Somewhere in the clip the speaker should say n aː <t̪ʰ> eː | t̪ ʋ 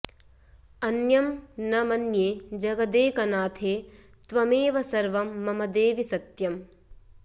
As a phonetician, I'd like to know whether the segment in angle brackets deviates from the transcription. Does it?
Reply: no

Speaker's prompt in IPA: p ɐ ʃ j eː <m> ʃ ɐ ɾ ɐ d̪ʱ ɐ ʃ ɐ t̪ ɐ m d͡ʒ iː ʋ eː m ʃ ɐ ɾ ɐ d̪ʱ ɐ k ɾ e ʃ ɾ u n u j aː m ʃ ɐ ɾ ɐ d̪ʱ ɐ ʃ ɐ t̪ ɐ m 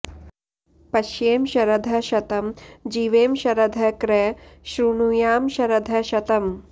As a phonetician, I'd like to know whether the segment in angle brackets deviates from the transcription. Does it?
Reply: no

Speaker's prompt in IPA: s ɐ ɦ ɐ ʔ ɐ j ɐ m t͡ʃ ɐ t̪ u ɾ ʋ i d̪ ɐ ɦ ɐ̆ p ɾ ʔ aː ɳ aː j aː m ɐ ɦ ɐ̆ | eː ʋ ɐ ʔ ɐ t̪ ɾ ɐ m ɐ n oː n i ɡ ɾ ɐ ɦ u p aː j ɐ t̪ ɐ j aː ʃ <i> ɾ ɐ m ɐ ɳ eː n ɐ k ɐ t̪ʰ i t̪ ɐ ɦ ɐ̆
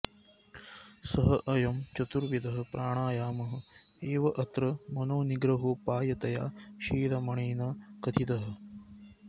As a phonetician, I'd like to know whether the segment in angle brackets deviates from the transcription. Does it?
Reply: yes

